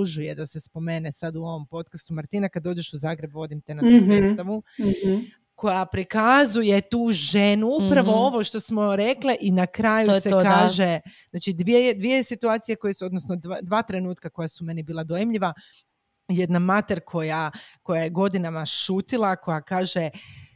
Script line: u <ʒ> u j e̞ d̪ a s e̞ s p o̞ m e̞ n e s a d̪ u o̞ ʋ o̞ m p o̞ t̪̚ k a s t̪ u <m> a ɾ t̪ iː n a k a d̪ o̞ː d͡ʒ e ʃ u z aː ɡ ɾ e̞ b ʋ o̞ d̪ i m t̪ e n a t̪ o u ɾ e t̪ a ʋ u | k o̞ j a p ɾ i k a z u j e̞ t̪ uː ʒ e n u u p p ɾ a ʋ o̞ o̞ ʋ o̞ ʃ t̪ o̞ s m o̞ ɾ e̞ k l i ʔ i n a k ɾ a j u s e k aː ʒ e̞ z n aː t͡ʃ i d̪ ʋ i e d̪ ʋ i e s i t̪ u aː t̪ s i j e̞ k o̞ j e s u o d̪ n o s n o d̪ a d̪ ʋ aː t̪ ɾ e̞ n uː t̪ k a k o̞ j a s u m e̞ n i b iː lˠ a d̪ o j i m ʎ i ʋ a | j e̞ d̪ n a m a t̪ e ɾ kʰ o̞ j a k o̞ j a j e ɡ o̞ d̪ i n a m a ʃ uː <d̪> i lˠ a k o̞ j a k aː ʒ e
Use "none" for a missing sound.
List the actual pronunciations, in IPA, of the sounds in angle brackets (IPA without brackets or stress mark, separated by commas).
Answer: ʒ, m, t̪